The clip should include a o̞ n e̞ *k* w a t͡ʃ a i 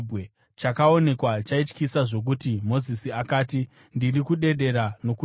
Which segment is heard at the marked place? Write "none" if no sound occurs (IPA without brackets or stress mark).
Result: k